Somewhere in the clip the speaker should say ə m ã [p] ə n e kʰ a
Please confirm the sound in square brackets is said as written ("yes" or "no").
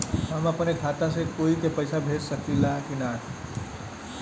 yes